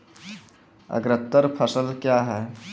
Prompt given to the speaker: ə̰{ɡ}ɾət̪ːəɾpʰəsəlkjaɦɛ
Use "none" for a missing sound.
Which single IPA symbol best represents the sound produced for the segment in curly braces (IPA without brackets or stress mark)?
ɡ